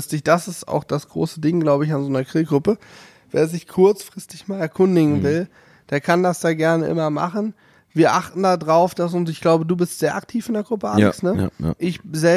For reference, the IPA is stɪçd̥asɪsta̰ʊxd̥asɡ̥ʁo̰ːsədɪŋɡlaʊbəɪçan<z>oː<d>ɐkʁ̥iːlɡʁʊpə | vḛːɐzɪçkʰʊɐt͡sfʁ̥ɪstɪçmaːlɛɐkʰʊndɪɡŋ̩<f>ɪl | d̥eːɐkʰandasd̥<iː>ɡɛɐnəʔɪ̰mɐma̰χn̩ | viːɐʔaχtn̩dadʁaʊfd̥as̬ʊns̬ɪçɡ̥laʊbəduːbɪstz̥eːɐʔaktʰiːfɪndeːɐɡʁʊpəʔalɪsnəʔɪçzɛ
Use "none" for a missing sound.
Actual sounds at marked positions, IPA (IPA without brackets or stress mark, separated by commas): z, n, v, aː